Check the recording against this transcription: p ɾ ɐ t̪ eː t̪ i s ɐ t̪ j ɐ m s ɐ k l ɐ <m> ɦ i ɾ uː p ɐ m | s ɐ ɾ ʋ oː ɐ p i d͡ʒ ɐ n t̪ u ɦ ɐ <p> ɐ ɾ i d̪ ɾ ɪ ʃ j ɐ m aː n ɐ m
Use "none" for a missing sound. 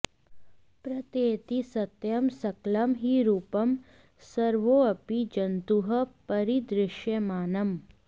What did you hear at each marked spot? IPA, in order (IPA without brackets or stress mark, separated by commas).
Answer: m, p